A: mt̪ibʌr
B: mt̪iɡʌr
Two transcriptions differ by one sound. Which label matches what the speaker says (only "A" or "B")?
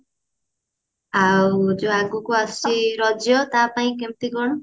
B